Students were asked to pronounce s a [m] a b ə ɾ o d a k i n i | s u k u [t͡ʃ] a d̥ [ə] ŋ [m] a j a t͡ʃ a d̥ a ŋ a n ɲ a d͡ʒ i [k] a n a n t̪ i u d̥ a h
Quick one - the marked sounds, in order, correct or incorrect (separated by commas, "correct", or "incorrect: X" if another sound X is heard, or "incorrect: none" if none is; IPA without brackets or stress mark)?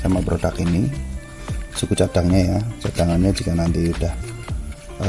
correct, correct, incorrect: a, incorrect: ɲ, correct